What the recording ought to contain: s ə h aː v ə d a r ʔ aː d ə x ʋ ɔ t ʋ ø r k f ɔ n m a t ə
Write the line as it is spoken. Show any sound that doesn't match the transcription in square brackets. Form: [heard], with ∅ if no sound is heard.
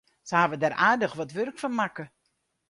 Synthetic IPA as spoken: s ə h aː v ə d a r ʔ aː d ə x ʋ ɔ t ʋ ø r k f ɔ n m a [k] ə